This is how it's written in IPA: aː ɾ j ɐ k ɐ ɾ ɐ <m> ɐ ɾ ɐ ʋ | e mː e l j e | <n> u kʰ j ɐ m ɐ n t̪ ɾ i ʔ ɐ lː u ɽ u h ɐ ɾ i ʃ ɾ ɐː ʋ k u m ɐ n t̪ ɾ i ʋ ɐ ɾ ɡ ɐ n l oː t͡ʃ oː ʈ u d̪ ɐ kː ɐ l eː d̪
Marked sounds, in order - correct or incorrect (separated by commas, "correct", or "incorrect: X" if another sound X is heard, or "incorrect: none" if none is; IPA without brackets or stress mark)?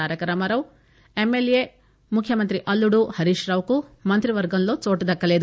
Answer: correct, incorrect: m